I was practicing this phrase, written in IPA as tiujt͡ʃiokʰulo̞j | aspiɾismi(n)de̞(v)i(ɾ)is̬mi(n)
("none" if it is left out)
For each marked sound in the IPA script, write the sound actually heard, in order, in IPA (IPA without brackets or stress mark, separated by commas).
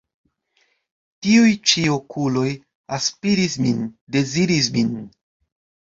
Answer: n, z, ɾ, n